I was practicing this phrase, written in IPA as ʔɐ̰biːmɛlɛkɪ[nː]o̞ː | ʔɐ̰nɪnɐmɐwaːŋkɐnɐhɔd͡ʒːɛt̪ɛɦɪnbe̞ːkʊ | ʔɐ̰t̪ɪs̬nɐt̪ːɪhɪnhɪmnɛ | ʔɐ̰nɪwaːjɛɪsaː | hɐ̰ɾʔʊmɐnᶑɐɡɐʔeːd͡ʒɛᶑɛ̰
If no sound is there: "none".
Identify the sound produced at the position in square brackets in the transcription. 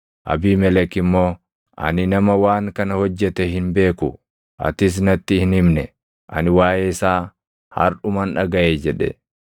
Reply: mː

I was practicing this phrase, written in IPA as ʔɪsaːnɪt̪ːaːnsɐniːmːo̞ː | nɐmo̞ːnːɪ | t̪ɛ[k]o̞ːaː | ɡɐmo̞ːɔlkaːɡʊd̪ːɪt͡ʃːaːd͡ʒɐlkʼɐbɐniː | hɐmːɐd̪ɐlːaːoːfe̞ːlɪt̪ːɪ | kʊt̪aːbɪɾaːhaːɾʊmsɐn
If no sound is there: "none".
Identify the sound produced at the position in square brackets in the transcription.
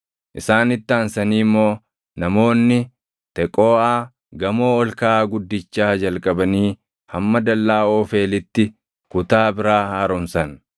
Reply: kʼ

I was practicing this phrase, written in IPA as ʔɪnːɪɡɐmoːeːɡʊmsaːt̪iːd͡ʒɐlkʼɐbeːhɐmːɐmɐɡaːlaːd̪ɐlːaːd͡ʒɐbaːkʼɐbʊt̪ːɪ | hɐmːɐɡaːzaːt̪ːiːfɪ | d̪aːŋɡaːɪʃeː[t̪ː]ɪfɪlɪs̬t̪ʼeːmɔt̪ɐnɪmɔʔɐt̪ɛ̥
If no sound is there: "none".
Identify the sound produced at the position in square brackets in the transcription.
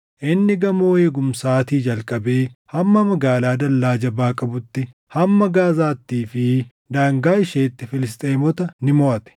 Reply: t̪ː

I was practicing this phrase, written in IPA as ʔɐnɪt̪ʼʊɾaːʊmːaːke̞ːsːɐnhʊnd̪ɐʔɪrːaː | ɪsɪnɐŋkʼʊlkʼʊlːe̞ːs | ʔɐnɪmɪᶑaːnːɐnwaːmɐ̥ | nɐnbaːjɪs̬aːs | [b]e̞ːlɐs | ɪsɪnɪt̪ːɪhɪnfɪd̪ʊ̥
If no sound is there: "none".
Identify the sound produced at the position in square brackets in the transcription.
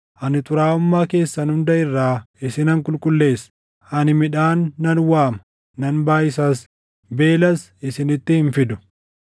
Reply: b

